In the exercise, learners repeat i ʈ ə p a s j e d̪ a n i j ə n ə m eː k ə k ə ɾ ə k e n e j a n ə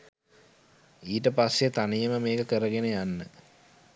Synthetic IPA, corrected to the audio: iː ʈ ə p a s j e t̪ a n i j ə m ə m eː k ə k ə ɾ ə ɡ e n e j a nː ə